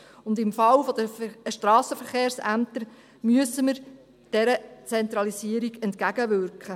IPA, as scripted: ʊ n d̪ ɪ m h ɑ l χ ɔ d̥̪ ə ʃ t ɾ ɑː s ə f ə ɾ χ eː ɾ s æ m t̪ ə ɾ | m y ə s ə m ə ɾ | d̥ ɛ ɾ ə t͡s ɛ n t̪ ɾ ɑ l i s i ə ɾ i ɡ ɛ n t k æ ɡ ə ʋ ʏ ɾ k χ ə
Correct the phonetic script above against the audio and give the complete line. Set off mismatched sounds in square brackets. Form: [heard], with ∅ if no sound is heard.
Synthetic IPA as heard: ʊ n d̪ ɪ m [f] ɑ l [f] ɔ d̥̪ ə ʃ t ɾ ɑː s ə f ə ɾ χ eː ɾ s æ m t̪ ə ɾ | m y ə s ə m ə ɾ | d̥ ɛ ɾ ə t͡s ɛ n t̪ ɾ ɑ l i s i ə ɾ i ɡ ɛ n t k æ ɡ ə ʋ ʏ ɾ k χ ə